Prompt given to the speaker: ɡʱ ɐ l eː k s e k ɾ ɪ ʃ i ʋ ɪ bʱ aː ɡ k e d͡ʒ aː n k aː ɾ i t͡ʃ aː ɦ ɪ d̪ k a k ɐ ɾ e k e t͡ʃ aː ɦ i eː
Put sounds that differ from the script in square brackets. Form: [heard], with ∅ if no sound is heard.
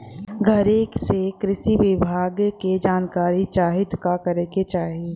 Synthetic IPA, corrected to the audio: ɡʱ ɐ [ɾ] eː k s e k ɾ ɪ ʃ i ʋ ɪ bʱ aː ɡ k e d͡ʒ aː n k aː ɾ i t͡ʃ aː ɦ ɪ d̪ k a k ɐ ɾ e k e t͡ʃ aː ɦ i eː